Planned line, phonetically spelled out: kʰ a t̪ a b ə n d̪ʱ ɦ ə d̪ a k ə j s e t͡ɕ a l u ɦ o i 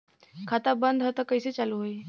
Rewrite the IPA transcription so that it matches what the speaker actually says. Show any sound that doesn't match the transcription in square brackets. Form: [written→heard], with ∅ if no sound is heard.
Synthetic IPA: kʰ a t̪ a b ə n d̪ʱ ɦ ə [d̪→t̪] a k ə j s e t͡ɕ a l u ɦ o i